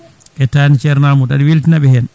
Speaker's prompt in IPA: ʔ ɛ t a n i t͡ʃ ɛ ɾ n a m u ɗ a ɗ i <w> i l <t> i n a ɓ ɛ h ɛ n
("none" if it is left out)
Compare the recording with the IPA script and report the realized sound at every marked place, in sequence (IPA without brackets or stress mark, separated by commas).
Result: w, t